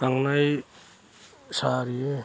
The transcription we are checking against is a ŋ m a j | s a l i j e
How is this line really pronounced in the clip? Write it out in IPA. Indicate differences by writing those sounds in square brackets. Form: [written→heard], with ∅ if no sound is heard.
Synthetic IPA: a ŋ [m→n] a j | s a [l→ɾ] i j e

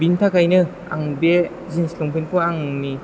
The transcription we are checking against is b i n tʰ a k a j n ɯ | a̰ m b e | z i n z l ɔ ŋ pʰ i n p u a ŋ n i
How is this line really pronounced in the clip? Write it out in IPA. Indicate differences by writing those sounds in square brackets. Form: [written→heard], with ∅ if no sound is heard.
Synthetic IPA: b i n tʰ a k a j n ɯ | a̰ [m→ŋ] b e | z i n [z→s] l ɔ ŋ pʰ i n p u a ŋ n i

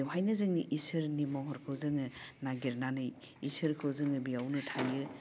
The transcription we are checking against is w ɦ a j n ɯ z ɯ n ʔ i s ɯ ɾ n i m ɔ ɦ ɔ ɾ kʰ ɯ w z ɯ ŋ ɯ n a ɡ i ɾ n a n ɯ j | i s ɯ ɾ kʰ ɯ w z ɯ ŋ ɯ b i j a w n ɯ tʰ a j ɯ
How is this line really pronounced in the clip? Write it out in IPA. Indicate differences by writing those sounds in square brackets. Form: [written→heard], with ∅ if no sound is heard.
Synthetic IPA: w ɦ a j n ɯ z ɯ [n→ŋ] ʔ i s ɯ ɾ n i m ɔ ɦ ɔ ɾ kʰ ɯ w z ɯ ŋ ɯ n a ɡ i ɾ n a n ɯ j | i s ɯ ɾ kʰ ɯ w z ɯ ŋ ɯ b i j a w n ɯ tʰ a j ɯ

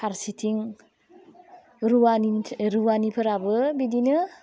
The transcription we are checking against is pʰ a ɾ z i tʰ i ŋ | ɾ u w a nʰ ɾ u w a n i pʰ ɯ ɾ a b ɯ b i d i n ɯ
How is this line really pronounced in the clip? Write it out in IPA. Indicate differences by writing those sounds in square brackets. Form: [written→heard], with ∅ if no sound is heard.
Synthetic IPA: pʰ a ɾ [z→s] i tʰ i ŋ | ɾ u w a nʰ ɾ u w a n i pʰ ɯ ɾ a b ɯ b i d i n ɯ

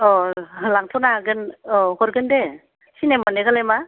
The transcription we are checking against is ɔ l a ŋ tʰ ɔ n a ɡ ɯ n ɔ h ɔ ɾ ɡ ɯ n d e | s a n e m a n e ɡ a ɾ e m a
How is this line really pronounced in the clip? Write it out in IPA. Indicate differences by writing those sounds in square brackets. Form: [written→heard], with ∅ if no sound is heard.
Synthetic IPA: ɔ l a ŋ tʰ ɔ n a ɡ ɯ n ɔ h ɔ ɾ ɡ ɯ n d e | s [a→i] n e m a n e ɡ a [ɾ→l] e m a

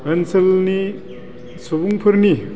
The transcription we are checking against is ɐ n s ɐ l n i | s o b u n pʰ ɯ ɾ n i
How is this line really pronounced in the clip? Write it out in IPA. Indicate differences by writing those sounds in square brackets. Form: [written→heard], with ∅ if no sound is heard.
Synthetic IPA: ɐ n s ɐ l n i | s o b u [n→ŋ] pʰ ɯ ɾ n i

